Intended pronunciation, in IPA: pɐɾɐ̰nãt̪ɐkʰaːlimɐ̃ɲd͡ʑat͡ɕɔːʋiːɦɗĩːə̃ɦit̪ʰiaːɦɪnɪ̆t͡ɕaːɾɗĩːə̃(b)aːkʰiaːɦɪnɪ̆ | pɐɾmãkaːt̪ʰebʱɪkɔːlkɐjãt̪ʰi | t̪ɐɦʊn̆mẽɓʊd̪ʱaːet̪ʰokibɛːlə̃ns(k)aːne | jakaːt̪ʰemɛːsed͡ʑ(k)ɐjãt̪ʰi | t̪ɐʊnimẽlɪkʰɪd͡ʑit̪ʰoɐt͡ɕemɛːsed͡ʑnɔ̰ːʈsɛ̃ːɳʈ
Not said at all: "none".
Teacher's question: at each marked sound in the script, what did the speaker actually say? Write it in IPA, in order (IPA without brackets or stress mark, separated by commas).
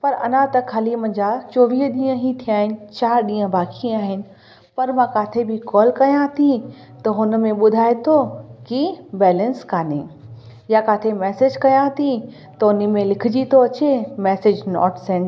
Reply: b, k, k